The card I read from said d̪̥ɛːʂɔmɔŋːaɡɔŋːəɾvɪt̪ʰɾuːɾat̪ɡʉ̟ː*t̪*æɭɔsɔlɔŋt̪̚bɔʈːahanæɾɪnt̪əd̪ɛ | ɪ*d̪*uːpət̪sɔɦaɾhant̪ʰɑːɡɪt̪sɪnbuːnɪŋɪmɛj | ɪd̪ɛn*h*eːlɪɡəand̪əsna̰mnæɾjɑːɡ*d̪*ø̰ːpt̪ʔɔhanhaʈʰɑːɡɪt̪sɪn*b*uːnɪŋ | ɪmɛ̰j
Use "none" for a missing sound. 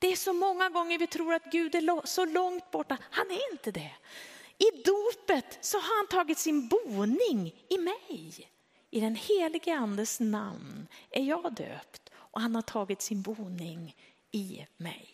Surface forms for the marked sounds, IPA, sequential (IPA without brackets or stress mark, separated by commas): d̪, d̪, h, d̪, b